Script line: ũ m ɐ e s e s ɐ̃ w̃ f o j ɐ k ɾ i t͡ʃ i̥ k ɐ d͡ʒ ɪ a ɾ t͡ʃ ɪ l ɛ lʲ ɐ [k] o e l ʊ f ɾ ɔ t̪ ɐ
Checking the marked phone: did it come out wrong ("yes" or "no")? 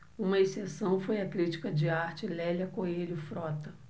no